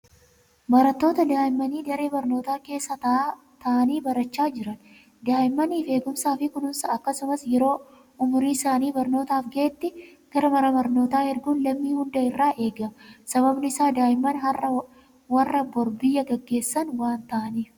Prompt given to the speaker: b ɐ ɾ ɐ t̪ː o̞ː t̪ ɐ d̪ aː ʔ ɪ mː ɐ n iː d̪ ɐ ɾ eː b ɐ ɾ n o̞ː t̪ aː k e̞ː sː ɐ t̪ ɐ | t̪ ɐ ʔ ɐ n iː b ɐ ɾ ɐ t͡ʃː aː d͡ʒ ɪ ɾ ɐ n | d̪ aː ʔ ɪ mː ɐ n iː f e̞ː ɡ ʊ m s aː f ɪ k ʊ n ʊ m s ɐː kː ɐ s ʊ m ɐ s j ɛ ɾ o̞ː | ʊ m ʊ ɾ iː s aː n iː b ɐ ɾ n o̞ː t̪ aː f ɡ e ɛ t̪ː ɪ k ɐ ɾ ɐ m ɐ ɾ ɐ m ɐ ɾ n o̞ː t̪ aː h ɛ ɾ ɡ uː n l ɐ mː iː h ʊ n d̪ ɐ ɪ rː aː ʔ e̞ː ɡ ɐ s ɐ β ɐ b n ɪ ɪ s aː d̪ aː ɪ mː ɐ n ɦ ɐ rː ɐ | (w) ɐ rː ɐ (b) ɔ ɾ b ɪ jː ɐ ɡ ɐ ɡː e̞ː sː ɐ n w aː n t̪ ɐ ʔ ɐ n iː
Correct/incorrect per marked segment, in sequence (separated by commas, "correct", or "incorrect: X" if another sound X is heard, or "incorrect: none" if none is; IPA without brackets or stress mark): correct, correct